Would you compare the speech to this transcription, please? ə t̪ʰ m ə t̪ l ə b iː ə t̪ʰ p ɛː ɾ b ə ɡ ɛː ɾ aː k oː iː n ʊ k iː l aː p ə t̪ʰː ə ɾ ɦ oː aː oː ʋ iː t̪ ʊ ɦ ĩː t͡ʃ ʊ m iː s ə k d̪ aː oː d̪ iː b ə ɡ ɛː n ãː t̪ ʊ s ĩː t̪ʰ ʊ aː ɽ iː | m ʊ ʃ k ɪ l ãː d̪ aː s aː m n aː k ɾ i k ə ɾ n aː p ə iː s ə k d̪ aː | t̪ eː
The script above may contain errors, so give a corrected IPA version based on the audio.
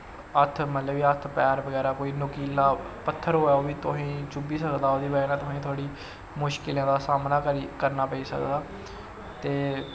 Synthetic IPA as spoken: ə t̪ʰ m ə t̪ l ə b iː ə t̪ʰ p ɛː ɾ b ə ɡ ɛː ɾ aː k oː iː n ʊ k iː l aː p ə t̪ʰː ə ɾ ɦ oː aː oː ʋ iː t̪ ʊ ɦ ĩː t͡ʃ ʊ b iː s ə k d̪ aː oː d̪ iː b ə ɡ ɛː n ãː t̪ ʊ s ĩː t̪ʰ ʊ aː ɽ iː | m ʊ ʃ k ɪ l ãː d̪ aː s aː m n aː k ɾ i k ə ɾ n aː p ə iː s ə k d̪ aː | t̪ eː